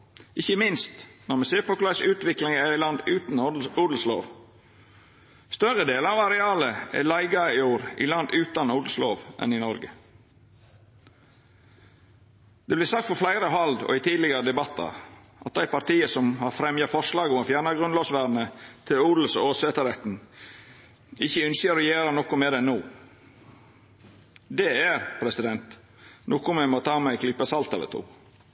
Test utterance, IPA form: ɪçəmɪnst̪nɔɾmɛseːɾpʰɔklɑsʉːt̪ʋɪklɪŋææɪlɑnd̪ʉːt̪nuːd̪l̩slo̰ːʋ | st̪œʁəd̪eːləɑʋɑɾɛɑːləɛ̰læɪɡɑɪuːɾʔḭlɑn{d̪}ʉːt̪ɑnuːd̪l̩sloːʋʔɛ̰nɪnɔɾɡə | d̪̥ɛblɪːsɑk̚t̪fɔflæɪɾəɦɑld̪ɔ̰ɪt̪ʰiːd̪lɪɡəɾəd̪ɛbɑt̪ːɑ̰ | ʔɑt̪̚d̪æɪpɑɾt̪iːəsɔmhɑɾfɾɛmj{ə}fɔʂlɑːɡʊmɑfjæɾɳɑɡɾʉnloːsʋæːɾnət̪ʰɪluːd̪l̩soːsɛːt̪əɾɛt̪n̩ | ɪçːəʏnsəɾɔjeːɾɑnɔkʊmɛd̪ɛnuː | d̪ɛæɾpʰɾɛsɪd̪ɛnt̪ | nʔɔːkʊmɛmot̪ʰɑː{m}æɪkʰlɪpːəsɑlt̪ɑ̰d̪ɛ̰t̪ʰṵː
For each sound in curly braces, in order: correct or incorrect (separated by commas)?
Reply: correct, incorrect, correct